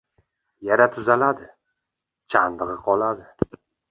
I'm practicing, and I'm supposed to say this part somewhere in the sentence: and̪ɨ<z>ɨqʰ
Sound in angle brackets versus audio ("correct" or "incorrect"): incorrect